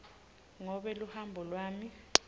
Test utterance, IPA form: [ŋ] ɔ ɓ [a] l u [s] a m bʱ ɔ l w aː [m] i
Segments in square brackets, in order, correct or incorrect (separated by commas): correct, incorrect, incorrect, correct